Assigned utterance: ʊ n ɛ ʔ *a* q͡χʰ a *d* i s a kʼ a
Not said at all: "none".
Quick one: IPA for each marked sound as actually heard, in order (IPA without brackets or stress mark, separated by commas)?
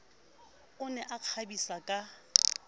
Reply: a, b